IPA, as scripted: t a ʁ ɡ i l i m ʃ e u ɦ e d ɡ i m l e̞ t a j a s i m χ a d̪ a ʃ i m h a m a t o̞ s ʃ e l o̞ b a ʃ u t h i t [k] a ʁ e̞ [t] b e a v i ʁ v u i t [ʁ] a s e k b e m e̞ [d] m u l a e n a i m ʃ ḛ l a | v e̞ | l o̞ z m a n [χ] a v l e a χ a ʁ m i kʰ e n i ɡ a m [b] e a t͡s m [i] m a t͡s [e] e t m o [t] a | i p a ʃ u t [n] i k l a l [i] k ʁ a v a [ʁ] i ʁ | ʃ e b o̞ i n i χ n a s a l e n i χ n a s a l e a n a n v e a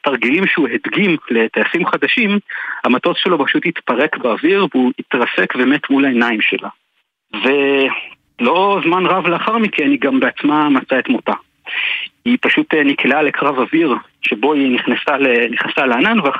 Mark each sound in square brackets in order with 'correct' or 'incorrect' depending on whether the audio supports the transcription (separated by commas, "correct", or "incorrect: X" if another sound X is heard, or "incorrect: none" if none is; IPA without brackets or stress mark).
incorrect: p, incorrect: k, correct, incorrect: t, incorrect: ʁ, correct, incorrect: a, incorrect: a, correct, correct, incorrect: e, incorrect: v